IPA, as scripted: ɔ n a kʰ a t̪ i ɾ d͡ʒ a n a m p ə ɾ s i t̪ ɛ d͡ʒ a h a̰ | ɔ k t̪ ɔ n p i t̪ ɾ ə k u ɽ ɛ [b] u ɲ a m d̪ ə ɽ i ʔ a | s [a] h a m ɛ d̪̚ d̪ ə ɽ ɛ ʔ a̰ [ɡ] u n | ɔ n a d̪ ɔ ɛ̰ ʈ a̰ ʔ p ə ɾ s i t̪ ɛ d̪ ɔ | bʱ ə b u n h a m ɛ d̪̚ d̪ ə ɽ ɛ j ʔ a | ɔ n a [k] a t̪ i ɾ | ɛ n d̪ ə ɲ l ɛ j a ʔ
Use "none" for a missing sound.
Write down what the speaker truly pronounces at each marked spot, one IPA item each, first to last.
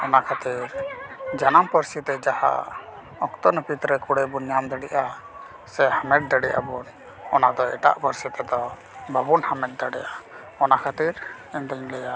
b, ɛ, b, kʰ

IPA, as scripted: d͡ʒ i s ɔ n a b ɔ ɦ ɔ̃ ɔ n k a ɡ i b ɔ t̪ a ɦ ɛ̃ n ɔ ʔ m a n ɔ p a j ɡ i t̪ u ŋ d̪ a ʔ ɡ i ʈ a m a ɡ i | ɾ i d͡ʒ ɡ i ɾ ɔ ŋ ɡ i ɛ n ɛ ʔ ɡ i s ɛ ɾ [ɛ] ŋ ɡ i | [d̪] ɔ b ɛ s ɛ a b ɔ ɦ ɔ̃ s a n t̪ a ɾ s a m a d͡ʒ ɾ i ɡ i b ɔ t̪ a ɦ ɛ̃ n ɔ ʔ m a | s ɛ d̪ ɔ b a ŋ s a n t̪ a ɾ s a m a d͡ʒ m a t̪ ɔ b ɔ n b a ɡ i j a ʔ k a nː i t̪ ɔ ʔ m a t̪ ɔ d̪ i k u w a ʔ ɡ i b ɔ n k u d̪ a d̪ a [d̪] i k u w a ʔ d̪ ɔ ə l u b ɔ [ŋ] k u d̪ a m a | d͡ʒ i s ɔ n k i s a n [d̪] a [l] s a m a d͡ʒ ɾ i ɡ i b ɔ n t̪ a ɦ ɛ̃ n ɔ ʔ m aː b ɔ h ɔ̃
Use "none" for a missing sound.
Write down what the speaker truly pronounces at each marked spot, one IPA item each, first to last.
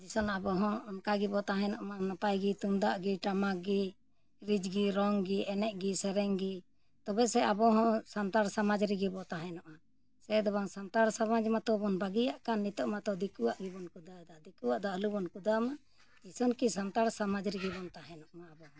ɛ, t̪, d̪, n, t̪, ɾ

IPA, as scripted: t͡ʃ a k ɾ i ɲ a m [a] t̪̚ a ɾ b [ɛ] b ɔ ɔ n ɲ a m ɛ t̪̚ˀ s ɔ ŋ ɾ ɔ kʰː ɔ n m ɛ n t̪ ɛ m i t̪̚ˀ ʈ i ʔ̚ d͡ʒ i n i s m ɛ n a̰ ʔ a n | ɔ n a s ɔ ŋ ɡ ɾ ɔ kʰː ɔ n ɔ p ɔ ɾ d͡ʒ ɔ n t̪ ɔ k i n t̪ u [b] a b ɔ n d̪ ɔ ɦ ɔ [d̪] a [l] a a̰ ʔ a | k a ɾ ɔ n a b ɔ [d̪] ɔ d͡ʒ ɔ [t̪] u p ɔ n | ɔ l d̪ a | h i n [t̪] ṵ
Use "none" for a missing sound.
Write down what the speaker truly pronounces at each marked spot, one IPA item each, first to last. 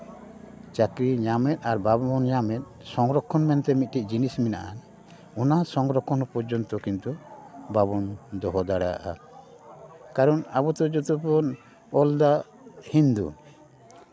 ɛ, a, b, d̪, ɽ, t̪, t̪, d̪

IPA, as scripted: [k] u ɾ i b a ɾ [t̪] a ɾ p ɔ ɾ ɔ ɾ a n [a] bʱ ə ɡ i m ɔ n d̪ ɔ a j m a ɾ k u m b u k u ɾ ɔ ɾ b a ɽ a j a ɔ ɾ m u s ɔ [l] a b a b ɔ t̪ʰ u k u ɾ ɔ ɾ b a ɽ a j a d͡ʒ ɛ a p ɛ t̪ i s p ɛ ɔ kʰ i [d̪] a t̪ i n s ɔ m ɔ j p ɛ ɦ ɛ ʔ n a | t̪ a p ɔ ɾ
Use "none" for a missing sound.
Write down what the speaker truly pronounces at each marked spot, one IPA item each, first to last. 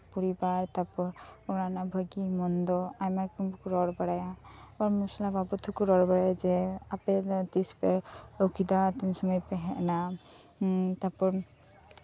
p, t̪, a, l, d̪

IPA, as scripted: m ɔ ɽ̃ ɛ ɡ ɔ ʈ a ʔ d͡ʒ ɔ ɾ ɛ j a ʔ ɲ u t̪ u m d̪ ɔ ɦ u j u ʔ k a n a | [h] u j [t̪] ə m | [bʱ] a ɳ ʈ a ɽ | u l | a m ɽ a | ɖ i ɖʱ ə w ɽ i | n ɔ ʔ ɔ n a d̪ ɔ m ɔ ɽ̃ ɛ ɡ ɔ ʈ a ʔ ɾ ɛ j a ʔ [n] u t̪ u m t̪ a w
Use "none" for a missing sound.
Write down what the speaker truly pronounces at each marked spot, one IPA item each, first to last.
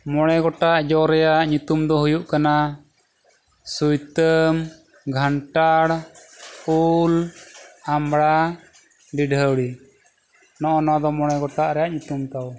s, t̪, ɡʱ, ɲ

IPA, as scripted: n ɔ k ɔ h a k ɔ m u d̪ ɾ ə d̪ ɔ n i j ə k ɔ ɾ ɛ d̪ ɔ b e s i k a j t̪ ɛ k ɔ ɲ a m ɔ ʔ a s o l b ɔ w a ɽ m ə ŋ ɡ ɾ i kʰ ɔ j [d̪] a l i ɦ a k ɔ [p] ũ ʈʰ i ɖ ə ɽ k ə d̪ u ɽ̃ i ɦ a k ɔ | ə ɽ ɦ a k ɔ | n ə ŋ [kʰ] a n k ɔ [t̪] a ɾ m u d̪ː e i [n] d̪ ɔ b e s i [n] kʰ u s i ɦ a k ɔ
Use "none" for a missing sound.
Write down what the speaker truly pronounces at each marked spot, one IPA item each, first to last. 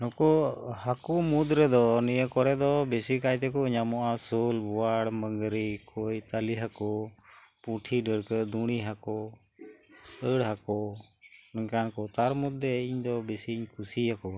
t̪, p, k, t̪, ɲ, ɲ

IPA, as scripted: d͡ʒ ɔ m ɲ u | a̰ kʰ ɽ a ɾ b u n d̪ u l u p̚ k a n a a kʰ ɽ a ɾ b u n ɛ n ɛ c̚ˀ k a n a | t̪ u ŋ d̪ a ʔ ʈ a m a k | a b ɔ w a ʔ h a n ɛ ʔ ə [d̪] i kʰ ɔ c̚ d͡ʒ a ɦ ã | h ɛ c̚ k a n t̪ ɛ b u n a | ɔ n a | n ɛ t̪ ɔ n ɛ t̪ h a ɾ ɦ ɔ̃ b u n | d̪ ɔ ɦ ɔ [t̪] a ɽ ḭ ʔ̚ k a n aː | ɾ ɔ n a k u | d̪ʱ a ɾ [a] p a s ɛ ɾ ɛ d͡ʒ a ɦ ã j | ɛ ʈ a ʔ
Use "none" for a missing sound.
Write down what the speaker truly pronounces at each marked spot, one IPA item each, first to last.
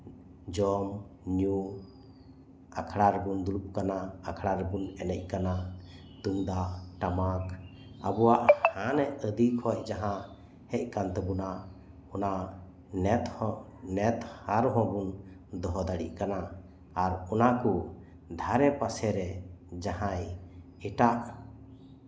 d̪, d̪, ɛ

